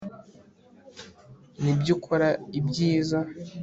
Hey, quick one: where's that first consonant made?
tongue tip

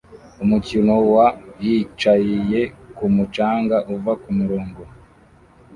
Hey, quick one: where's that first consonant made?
lips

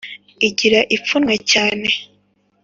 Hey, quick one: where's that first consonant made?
palate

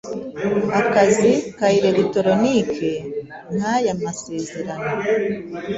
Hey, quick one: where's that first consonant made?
velum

